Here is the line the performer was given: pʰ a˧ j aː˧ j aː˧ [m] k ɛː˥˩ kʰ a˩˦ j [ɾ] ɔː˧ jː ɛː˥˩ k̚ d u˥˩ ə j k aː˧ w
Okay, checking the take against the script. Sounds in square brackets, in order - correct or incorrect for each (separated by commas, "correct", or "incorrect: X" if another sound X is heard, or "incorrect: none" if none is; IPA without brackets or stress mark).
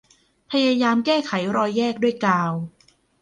correct, correct